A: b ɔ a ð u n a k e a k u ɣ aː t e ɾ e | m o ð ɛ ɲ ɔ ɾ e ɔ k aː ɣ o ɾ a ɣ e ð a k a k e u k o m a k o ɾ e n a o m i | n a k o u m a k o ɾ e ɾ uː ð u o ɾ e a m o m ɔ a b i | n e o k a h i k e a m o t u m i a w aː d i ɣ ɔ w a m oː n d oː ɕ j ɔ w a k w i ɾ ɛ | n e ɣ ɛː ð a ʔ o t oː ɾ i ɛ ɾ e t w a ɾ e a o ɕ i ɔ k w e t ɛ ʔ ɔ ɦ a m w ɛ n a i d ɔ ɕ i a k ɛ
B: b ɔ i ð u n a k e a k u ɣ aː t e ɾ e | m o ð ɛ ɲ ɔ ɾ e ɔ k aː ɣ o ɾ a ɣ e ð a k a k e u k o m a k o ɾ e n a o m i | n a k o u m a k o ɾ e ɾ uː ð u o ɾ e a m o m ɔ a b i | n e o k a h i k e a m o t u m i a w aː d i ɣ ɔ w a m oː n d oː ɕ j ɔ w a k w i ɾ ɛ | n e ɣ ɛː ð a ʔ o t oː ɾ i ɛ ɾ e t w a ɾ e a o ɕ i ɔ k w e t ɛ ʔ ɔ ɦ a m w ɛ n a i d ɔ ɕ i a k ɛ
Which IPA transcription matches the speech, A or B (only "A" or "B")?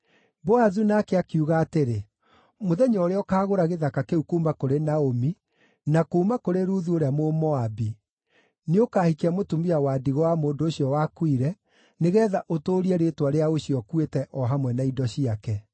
A